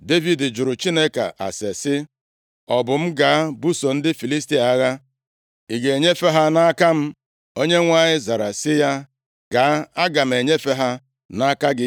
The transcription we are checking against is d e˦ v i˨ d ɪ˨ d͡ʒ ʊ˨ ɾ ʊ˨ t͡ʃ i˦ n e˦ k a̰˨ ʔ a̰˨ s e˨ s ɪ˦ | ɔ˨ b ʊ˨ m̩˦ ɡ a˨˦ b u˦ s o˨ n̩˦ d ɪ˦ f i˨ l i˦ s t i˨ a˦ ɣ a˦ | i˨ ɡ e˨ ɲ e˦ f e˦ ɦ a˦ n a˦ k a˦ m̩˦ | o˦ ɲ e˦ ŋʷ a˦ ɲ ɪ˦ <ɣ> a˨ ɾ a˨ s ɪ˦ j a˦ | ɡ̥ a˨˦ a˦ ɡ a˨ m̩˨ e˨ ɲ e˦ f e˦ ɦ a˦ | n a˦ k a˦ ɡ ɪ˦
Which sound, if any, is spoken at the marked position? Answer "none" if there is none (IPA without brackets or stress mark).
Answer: z